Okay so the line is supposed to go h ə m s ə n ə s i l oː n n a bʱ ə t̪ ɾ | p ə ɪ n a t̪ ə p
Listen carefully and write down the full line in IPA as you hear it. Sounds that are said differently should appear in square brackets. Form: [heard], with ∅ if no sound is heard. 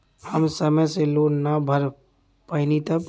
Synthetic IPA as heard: h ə m s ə [m] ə s [e] l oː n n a bʱ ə [∅] ɾ | p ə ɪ n [i] t̪ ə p